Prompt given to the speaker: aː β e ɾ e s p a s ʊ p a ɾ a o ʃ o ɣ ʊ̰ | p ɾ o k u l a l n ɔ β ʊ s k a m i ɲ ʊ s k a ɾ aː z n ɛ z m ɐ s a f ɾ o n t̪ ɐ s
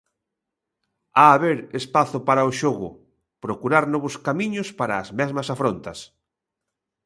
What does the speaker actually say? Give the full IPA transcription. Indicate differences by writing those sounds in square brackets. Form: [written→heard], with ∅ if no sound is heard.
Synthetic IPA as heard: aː β e ɾ e s p a [s→θ] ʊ p a ɾ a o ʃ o ɣ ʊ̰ | p ɾ o k u [l→ɾ] a [l→ɾ] n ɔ β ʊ s k a m i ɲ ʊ s [k→p] a ɾ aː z [n→m] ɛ z m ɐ s a f ɾ o n t̪ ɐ s